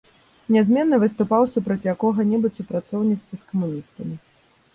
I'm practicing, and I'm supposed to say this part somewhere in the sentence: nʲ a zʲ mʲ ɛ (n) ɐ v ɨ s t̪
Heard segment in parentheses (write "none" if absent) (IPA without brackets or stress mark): nː